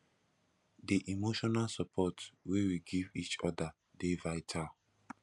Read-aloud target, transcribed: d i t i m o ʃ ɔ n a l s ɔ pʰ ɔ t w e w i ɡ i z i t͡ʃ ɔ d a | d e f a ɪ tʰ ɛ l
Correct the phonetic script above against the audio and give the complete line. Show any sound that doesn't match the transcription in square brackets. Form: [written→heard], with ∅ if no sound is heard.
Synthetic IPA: d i [t→ʔ] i m o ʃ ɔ n a l s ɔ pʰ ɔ t w e w i ɡ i [z→v] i t͡ʃ ɔ d a | d e [f→v] a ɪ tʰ [ɛ→a] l